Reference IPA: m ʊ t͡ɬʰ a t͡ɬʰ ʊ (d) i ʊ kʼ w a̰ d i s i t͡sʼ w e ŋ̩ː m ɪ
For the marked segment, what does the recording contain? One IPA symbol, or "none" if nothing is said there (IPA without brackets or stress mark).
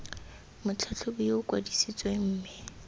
b